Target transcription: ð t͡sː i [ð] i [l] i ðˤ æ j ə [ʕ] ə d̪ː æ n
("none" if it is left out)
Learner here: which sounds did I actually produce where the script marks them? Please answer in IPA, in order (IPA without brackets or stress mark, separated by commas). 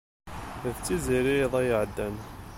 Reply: z, ɾ, ʕ